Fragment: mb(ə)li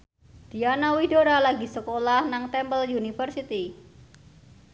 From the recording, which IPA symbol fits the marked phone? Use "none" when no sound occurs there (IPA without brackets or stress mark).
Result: ə